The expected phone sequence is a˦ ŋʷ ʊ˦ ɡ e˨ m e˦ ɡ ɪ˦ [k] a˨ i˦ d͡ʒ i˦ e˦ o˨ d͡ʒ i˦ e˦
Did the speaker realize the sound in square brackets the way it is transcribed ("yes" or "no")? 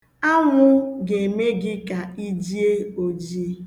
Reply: yes